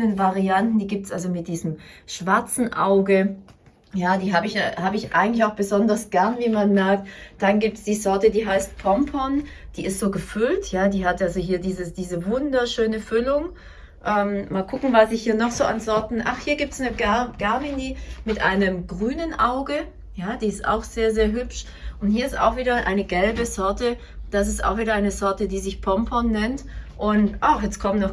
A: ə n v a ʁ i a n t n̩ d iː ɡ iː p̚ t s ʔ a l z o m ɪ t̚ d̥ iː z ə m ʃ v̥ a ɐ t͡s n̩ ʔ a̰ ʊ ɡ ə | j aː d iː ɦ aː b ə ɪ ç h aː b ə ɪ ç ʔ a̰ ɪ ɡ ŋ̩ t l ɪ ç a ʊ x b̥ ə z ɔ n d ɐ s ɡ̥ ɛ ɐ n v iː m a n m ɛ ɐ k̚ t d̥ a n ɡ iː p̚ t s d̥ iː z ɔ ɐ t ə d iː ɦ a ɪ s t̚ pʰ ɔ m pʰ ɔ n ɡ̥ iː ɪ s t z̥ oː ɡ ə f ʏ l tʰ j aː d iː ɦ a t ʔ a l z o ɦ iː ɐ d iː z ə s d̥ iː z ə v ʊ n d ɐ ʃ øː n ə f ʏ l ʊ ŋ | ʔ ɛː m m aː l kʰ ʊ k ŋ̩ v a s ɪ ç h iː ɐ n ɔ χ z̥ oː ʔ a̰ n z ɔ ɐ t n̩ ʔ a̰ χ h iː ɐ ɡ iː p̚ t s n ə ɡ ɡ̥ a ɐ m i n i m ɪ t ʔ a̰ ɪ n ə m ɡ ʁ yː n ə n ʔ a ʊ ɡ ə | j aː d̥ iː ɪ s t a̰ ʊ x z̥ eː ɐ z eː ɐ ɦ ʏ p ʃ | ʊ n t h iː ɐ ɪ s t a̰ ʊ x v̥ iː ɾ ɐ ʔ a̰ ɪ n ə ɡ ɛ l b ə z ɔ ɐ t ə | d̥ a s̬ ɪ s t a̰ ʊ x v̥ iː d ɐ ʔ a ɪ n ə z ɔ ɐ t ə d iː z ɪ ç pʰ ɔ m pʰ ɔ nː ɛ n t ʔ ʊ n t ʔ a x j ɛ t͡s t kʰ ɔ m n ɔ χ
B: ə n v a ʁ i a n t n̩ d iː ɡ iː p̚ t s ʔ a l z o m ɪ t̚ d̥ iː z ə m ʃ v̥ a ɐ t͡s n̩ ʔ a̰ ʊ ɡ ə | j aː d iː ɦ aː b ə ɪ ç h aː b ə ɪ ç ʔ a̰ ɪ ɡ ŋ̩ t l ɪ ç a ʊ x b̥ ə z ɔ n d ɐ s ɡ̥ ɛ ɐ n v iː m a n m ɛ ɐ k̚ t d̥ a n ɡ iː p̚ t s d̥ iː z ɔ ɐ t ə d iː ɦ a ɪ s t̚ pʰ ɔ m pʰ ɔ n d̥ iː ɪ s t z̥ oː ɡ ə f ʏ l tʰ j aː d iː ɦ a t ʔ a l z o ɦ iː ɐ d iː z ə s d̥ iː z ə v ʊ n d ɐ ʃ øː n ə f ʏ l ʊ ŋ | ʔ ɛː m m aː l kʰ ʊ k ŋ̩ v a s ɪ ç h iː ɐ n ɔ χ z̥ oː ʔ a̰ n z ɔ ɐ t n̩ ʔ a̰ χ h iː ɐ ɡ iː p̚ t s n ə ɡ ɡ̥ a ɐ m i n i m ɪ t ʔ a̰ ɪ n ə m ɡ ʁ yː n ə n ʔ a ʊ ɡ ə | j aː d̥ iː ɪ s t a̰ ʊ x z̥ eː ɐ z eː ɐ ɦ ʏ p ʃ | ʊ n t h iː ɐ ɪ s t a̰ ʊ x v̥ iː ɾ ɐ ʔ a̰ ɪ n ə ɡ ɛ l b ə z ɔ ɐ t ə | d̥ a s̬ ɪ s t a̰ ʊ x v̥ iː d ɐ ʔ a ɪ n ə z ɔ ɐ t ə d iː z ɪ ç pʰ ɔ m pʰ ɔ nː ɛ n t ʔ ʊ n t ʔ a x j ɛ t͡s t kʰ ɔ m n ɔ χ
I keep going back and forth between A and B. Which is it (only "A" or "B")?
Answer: B